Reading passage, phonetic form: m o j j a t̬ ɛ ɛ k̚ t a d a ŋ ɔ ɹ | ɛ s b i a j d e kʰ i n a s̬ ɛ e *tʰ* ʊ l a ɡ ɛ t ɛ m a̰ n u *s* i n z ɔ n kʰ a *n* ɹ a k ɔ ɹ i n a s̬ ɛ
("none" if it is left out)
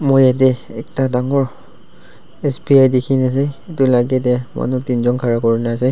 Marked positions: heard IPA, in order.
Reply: t, t, none

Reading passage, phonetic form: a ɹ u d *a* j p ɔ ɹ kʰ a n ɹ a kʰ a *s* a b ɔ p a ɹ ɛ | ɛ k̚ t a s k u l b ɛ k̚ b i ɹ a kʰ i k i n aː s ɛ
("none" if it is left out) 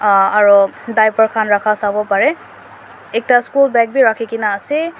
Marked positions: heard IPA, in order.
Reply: a, s

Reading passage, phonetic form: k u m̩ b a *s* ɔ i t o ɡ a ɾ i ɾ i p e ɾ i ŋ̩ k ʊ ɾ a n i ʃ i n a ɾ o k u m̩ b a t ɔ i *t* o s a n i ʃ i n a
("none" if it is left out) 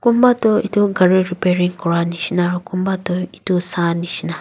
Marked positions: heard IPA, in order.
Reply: t, t

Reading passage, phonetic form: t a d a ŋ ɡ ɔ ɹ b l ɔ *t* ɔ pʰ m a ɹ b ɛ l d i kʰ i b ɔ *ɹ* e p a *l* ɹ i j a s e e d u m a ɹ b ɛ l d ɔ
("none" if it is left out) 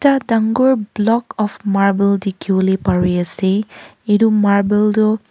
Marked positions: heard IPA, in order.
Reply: k, l, none

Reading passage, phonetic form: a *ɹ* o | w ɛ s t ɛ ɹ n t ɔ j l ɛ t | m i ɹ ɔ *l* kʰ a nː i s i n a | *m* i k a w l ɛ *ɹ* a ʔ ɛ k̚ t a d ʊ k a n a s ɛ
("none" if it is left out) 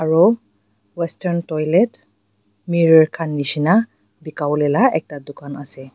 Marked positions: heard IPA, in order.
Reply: ɹ, ɹ, b, l

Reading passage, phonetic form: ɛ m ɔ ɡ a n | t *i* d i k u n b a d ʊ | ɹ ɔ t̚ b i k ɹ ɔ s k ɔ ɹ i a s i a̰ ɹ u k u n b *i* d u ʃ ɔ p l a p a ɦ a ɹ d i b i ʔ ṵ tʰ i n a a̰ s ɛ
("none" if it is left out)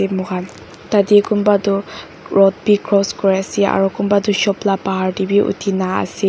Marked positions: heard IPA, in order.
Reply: a, a

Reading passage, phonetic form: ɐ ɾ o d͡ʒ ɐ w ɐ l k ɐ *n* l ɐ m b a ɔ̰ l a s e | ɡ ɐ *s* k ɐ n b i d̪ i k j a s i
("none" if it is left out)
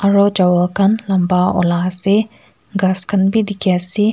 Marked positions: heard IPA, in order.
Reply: n, s

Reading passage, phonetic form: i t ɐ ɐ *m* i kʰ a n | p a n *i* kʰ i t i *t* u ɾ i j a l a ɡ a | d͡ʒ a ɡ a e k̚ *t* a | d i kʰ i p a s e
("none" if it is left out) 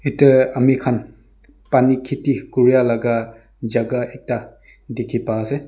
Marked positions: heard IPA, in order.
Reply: m, i, k, t

